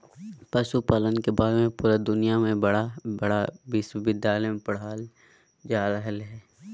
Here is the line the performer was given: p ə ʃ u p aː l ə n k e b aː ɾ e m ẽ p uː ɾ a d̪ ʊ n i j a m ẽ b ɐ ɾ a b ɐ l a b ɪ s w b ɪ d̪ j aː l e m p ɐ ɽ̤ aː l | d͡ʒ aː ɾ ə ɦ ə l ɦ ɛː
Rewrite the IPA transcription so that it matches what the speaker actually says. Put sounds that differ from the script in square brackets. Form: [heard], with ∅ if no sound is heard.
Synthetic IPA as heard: p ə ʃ u p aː l ə n k e b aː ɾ e m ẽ p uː ɾ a d̪ ʊ n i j a m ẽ b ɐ [ɽ] a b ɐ [ɽ] a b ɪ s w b ɪ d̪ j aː l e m p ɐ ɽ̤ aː l | d͡ʒ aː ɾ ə ɦ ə l ɦ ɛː